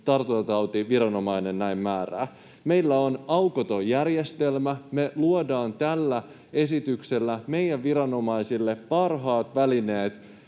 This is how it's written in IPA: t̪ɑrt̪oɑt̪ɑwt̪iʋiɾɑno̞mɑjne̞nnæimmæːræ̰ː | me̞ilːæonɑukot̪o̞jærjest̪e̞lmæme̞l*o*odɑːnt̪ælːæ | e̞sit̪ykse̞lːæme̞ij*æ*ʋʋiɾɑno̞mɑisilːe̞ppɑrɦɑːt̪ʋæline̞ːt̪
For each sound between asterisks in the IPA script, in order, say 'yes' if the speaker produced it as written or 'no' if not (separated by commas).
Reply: no, yes